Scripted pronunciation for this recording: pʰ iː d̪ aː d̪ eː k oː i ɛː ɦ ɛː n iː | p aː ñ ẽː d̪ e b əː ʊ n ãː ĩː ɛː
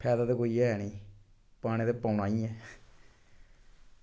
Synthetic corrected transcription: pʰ ɛː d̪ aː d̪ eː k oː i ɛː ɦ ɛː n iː | p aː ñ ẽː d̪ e p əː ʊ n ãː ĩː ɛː